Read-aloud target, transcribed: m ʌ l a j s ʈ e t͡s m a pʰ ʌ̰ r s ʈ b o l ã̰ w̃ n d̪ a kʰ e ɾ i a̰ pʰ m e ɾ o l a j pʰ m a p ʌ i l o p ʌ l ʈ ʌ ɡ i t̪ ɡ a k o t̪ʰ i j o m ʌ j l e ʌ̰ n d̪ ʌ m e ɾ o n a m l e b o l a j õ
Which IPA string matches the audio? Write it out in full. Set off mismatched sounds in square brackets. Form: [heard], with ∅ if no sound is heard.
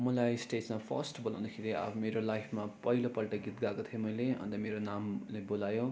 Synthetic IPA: m ʌ l a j s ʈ e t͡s m a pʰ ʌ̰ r s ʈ b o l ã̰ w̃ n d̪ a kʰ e ɾ i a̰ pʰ m e ɾ o l a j pʰ m a p ʌ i l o p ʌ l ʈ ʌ ɡ i t̪ ɡ a k o t̪ʰ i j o m ʌ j l e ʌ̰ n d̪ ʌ m e ɾ o n a m l e b o l a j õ